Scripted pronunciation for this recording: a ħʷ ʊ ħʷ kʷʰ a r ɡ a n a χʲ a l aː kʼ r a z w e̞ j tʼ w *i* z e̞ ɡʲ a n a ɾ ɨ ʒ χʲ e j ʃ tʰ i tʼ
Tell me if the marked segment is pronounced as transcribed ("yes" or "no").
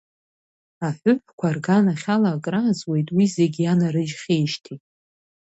yes